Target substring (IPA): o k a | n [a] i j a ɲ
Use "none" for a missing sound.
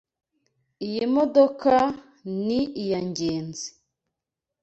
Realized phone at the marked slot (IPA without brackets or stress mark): i